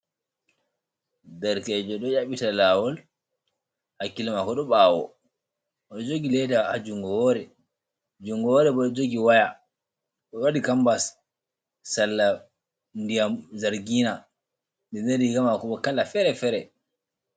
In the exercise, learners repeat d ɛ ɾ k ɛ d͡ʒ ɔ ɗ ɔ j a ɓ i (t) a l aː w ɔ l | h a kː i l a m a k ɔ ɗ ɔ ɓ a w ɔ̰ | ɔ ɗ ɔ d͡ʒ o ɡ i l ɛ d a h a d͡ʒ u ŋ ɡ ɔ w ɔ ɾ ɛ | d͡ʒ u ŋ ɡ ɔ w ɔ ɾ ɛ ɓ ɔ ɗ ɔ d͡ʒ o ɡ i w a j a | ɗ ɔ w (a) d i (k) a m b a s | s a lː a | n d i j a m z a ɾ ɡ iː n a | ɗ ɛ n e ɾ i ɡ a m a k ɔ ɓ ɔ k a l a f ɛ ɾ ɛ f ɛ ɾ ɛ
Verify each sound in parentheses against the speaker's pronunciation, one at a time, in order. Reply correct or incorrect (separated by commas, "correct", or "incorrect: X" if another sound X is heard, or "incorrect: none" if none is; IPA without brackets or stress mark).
correct, correct, correct